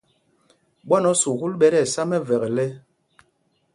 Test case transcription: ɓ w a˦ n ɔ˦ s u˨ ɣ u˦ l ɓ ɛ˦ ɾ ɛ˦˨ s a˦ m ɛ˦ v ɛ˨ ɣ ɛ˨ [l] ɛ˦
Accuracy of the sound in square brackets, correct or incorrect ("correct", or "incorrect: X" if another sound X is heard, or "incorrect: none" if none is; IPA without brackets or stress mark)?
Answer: correct